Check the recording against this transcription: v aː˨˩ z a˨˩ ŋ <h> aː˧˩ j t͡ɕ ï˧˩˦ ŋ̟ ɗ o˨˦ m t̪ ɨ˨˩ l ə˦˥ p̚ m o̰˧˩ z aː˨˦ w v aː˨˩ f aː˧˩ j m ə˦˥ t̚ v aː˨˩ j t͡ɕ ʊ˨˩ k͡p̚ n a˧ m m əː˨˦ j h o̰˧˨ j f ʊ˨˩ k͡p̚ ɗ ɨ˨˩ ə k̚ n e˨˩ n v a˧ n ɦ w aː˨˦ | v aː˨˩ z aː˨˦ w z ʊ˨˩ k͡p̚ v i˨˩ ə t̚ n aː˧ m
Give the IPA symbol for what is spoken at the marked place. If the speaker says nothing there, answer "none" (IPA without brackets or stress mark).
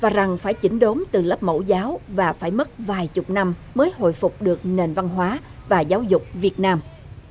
f